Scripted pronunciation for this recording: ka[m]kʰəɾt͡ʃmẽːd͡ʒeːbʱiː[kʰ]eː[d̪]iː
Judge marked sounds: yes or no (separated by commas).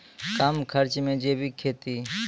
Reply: yes, yes, no